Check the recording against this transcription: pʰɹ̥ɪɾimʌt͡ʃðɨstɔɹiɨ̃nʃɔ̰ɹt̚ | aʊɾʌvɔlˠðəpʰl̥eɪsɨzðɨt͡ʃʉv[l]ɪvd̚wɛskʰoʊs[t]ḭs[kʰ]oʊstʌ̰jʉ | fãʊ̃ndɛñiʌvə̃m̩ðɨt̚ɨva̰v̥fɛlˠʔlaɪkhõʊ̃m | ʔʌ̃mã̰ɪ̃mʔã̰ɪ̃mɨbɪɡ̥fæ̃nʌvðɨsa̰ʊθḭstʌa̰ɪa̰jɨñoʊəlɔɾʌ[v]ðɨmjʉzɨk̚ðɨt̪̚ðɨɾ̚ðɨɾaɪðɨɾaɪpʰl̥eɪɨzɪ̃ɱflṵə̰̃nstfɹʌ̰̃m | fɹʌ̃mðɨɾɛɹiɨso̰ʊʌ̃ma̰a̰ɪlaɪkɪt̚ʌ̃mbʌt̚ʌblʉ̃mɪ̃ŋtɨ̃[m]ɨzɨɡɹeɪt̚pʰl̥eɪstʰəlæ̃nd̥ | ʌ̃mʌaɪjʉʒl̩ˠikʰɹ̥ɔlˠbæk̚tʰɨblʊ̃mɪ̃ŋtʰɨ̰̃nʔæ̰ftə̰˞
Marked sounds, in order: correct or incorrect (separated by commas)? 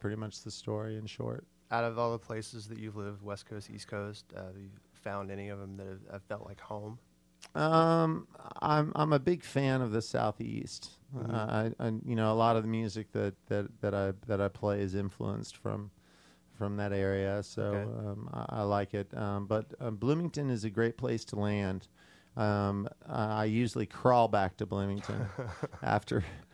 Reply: correct, correct, correct, correct, incorrect